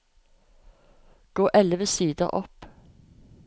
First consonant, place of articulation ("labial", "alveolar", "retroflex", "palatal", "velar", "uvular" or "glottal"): velar